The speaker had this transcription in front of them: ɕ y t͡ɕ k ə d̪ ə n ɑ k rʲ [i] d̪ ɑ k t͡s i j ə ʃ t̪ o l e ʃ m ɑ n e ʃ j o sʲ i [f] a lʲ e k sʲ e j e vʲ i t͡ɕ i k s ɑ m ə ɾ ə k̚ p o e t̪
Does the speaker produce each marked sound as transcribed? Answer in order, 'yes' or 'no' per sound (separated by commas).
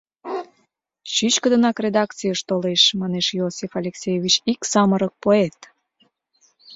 no, yes